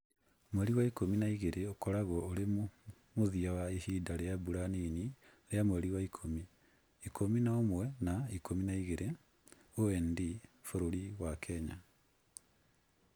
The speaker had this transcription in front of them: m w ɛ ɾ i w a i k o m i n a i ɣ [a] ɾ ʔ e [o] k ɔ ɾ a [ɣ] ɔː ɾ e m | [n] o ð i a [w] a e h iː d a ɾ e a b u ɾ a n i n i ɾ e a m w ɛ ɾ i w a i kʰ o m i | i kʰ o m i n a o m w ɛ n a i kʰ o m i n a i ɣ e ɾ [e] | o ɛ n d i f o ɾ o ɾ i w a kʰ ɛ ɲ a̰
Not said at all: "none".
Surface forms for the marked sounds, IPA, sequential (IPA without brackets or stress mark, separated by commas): e, o, ɣ, m, w, e